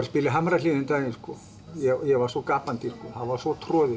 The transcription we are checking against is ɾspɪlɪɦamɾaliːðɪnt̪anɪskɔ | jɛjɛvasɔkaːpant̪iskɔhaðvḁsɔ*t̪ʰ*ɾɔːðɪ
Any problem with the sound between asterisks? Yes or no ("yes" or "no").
no